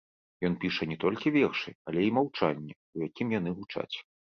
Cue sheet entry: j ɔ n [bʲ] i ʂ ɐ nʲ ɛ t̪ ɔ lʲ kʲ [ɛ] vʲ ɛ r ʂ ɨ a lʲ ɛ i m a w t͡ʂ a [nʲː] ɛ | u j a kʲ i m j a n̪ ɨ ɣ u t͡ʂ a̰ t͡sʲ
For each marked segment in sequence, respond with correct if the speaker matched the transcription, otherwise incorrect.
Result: incorrect, incorrect, correct

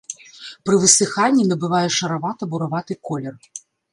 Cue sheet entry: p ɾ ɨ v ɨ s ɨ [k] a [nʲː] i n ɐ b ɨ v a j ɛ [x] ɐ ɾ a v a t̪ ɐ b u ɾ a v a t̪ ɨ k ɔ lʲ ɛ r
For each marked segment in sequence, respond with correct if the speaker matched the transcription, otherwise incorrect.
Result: incorrect, correct, incorrect

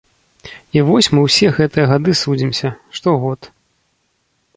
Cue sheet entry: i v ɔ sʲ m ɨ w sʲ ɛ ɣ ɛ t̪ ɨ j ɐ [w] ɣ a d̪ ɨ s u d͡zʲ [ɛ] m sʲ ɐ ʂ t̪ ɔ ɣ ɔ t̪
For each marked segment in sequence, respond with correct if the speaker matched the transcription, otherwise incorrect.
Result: incorrect, incorrect

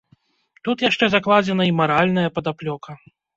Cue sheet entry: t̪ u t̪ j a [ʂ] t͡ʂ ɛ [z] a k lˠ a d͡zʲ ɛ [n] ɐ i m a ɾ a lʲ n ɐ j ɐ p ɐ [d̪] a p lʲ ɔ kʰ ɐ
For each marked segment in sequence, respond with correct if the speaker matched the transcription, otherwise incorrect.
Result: correct, correct, correct, correct

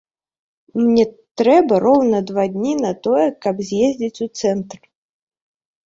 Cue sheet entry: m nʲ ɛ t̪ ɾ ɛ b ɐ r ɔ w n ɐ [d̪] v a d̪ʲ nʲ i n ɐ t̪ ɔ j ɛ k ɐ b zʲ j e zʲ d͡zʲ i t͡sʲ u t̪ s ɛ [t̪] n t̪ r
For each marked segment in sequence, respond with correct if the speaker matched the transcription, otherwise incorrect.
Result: correct, incorrect

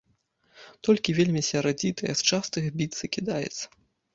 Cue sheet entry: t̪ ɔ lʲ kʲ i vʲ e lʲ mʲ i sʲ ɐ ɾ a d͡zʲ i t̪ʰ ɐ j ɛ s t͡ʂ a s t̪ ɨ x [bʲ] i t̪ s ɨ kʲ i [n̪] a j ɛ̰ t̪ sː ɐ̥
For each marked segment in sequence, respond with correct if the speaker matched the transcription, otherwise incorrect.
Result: correct, incorrect

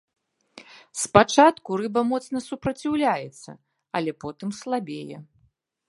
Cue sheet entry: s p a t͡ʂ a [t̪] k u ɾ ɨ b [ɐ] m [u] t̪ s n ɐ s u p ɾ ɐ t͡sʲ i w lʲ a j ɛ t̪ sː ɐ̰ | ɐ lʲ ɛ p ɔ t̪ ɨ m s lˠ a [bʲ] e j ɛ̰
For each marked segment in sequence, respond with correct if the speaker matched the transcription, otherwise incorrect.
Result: correct, correct, incorrect, correct

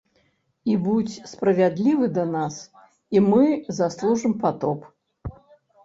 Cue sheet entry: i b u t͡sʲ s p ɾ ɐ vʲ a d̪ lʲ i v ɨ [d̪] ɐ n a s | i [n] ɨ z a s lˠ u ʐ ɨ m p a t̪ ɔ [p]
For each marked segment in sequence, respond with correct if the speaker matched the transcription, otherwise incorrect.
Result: correct, incorrect, correct

